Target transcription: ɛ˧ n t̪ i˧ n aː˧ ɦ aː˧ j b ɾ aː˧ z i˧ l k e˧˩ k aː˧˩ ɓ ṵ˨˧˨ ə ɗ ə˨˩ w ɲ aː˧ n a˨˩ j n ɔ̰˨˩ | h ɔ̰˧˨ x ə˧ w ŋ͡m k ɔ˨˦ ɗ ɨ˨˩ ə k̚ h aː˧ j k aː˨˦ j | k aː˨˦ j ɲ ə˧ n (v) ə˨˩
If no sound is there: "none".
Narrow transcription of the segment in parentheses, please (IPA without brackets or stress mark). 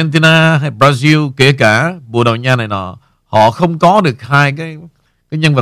v